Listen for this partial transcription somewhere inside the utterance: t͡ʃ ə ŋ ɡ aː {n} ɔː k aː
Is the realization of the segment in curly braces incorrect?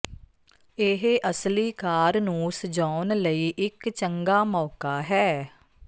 yes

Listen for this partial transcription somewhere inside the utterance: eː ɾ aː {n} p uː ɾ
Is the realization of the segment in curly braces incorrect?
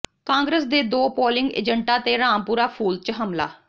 yes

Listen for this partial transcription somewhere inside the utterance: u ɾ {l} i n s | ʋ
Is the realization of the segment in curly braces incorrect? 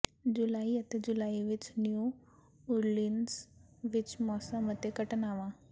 no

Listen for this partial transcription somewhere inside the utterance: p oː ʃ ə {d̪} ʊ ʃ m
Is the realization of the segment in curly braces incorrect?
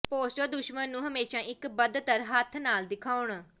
no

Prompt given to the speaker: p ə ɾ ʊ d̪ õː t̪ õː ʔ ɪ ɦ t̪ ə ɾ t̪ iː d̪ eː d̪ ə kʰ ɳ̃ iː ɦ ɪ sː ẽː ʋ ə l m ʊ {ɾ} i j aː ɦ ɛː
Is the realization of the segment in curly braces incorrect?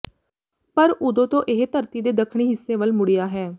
yes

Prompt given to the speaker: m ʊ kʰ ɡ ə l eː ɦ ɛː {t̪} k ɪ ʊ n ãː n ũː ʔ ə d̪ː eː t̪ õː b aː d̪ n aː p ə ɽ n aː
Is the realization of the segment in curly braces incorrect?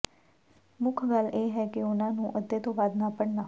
yes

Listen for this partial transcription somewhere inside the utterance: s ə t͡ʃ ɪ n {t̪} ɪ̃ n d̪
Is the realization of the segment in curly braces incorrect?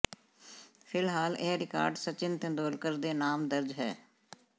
no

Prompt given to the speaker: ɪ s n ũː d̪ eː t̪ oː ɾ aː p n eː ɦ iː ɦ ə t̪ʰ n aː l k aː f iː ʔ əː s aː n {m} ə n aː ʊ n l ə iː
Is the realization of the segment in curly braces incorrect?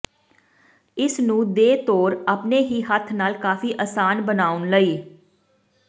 yes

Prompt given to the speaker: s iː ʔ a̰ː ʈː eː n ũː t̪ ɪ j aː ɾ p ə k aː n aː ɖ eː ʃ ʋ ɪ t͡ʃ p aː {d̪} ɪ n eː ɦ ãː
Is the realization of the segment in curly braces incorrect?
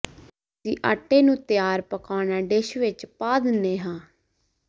no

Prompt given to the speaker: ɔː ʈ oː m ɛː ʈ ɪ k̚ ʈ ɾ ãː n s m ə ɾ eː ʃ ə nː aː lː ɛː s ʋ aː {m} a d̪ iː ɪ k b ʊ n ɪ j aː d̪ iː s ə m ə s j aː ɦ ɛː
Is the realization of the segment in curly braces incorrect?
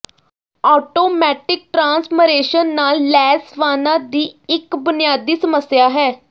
yes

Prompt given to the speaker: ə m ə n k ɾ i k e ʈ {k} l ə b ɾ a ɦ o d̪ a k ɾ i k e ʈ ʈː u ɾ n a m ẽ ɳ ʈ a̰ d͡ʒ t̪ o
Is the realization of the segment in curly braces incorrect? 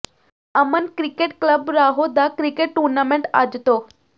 no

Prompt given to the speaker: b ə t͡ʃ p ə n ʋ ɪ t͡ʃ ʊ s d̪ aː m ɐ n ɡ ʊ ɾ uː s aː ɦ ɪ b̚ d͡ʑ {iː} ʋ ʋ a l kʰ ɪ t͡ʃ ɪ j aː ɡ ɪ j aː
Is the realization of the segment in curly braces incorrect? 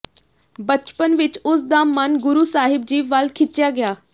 no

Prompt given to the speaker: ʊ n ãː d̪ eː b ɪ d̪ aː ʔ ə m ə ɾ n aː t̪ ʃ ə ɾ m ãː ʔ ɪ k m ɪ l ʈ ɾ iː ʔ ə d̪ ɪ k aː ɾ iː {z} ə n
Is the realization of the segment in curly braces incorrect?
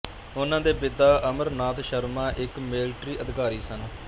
yes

